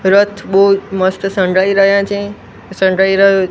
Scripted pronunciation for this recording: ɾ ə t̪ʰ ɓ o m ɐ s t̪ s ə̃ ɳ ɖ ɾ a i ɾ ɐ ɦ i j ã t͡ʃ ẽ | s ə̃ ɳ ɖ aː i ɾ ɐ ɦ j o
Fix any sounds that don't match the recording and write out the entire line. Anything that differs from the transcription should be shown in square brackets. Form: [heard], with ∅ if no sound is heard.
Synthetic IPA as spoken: ɾ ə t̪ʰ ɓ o m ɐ s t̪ s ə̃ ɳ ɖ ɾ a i ɾ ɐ ɦ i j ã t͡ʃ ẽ | s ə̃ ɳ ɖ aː i ɾ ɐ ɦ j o